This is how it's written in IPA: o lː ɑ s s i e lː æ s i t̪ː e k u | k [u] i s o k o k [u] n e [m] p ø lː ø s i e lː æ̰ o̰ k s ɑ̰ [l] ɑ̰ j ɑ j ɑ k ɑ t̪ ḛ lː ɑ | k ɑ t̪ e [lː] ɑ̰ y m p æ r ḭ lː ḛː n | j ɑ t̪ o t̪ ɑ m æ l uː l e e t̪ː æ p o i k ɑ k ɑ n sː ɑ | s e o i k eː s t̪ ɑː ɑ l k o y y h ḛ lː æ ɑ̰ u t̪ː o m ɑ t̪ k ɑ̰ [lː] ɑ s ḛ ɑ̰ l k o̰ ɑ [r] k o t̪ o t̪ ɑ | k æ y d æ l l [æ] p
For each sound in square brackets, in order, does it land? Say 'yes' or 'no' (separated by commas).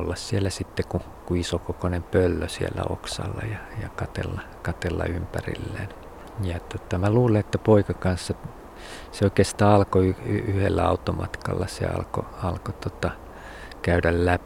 yes, no, yes, no, yes, yes, no, yes